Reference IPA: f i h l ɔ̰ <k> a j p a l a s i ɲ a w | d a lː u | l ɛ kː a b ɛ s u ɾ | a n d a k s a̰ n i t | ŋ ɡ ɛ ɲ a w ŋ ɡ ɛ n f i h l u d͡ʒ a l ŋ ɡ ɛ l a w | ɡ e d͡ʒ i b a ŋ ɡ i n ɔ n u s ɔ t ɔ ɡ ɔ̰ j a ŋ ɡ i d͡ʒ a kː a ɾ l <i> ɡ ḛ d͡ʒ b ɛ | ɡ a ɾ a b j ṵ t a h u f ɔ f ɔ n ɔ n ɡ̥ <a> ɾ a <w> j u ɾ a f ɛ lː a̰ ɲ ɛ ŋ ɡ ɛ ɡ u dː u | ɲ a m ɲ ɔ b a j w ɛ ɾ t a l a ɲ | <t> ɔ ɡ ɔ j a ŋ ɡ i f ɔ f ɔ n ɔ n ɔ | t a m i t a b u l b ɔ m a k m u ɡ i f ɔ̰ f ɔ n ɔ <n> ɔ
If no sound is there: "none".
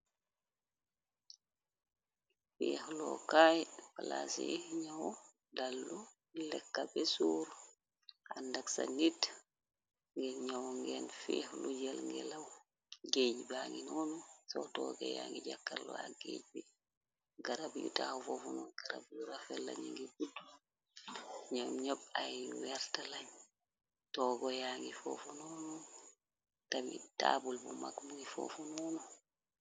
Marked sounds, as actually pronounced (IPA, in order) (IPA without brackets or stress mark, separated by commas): k, a, a, b, t, n